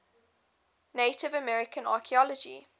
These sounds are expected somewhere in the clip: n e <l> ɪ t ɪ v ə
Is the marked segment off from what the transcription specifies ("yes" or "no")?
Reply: yes